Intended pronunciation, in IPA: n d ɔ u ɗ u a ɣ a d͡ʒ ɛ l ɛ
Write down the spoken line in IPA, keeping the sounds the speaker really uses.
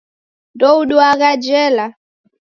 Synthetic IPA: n d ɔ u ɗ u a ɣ a d͡ʒ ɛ l a